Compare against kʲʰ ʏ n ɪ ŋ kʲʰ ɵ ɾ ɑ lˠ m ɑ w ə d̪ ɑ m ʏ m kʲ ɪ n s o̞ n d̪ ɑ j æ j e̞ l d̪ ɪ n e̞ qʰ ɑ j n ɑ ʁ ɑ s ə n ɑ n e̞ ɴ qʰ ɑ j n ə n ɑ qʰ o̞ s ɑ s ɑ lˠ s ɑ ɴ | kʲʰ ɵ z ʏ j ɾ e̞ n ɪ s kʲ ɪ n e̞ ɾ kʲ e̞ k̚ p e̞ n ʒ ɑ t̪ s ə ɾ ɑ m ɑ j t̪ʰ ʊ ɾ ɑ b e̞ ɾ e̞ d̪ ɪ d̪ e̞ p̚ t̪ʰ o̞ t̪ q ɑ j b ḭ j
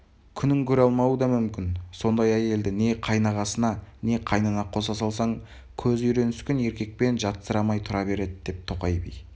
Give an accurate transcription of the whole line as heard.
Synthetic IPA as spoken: kʲʰ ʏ n ɪ ŋ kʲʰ ɵ ɾ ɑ lˠ m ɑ w ə d̪ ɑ m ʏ m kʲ ɪ n s o̞ n d̪ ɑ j æ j e̞ l d̪ ɪ n e̞ qʰ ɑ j n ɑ ʁ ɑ s ə n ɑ n e̞ qʰ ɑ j n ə n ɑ qʰ o̞ s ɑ s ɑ lˠ s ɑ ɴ | kʲʰ ɵ z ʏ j ɾ e̞ n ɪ s kʲ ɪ n e̞ ɾ kʲ e̞ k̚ p e̞ n ʒ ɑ t̪ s ə ɾ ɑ m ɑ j t̪ʰ ʊ ɾ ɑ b e̞ ɾ e̞ d̪ ɪ d̪ e̞ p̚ t̪ʰ o̞ q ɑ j b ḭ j